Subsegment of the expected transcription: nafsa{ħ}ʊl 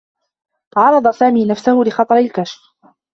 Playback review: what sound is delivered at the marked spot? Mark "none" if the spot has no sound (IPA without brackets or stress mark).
h